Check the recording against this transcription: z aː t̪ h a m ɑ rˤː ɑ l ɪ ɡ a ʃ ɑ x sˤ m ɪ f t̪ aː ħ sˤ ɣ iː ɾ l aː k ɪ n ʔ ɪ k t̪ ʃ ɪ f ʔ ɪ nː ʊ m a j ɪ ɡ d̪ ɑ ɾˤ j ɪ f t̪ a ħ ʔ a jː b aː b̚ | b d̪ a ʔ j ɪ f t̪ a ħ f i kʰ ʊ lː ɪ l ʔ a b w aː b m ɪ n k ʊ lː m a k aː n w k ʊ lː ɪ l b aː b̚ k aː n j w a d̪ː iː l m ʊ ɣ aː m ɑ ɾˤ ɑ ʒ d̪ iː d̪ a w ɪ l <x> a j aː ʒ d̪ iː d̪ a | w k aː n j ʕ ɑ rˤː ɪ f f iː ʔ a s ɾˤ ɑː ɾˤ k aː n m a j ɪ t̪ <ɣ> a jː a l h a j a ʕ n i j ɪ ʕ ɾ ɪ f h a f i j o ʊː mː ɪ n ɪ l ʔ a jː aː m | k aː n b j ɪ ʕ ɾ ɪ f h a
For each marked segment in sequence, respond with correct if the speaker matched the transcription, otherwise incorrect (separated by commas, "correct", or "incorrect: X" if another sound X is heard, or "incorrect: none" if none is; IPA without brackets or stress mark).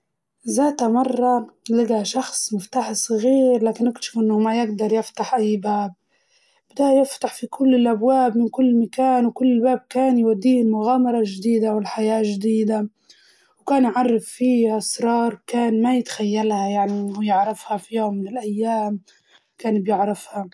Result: incorrect: ħ, incorrect: x